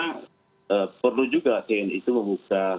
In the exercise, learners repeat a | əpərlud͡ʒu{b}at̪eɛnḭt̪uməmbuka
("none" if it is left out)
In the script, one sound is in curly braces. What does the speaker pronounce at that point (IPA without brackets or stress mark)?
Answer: ɡ